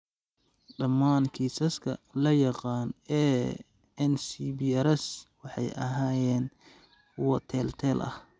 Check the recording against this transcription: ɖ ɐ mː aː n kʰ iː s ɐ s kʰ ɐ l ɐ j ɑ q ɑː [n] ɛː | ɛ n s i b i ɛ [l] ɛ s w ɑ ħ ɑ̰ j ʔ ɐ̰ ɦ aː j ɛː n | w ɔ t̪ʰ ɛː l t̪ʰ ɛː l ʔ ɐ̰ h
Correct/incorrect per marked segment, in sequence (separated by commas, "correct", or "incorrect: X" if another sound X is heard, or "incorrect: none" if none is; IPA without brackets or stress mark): correct, incorrect: ɾ